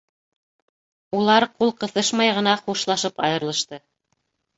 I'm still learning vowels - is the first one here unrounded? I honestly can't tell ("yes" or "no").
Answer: no